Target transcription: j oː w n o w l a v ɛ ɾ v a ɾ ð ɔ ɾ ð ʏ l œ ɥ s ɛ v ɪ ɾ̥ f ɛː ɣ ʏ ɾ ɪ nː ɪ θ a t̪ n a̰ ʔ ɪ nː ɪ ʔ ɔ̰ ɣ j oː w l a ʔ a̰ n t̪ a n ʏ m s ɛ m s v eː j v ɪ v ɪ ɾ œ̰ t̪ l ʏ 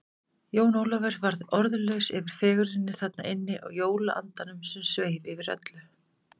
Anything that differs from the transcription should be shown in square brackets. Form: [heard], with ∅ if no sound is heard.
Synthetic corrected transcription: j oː w n o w l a v ɛ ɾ v a ɾ ð ɔ ɾ ð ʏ l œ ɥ s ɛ v ɪ ɾ̥ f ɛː ɣ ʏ ɾ ɪ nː ɪ θ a t̪ n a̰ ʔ ɪ nː ɪ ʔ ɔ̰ ɣ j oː w l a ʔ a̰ n t̪ a n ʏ m s ɛ m s v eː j v ɪ v ɪ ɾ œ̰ t̪ l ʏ